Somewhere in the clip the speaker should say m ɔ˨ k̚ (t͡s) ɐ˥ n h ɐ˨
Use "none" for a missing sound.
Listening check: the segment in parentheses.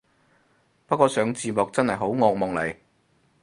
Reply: t͡s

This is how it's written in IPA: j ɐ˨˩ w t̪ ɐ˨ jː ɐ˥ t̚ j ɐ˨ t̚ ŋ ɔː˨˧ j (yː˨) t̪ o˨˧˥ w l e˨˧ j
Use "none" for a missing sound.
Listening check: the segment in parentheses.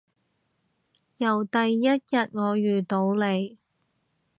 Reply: yː˨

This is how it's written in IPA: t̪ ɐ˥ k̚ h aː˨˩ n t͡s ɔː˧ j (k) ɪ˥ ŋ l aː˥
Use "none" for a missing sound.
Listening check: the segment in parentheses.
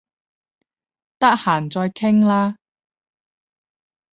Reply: kʰ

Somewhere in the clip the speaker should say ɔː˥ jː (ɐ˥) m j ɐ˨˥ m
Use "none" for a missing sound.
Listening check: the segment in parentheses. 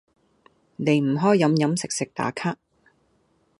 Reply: ɐ˨˥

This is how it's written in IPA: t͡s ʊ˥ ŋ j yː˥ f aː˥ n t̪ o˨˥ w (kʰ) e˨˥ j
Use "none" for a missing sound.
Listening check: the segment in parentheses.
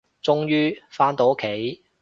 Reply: kʰ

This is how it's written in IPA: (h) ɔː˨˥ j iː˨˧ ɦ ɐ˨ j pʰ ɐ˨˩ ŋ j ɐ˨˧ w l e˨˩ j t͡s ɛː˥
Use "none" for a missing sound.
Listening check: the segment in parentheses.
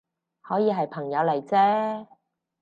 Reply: h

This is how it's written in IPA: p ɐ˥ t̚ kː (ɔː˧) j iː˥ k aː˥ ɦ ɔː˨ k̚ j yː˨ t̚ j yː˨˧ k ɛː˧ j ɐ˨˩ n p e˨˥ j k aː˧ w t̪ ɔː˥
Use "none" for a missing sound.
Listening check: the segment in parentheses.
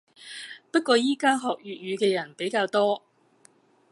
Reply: ɔː˧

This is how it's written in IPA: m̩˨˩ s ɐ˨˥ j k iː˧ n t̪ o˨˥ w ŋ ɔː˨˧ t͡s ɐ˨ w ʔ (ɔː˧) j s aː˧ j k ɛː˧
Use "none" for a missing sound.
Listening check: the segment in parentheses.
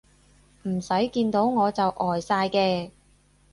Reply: ɔː˨˩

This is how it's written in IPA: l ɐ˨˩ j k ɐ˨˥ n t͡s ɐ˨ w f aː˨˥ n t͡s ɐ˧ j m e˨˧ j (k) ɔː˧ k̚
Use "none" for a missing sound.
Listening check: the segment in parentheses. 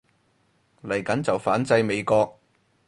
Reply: k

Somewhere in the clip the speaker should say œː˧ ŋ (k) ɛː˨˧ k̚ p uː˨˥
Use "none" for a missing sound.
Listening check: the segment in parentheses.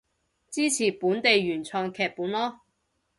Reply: kʰ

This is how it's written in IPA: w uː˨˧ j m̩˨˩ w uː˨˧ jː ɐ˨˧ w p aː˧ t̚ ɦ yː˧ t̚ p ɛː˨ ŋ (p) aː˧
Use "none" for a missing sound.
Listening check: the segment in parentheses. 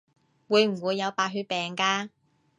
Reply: k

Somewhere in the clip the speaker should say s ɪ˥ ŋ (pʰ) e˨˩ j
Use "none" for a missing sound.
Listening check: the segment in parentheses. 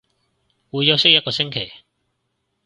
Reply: kʰ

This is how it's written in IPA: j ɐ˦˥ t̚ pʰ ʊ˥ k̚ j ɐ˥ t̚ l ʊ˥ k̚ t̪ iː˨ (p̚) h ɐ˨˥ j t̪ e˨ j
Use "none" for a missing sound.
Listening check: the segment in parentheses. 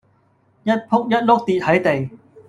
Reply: t̚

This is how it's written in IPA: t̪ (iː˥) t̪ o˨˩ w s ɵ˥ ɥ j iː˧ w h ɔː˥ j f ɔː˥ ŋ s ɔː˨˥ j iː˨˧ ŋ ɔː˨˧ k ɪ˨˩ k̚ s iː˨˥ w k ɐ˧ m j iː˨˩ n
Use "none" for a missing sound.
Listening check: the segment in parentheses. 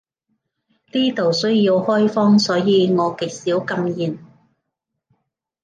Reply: iː˥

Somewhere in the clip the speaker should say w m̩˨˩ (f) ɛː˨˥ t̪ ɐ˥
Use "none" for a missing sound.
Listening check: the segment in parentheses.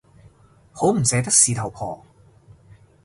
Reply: s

